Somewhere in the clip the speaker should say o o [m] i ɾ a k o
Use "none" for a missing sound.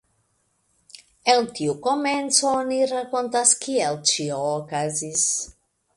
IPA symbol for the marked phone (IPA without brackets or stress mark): n